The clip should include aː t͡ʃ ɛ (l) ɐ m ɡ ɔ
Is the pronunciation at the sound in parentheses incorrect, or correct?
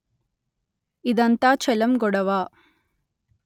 correct